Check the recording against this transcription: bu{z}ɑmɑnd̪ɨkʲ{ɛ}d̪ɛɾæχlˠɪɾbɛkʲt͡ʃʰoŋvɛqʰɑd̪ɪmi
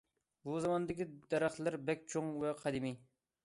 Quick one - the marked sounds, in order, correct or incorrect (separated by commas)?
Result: correct, incorrect